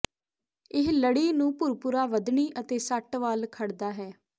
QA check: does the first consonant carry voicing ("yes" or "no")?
yes